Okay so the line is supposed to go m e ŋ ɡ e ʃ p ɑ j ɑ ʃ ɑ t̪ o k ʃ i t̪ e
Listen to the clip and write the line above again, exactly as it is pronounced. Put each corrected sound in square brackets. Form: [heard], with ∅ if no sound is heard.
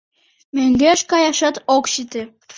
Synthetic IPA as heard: m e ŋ ɡ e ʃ [k] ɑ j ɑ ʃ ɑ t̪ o k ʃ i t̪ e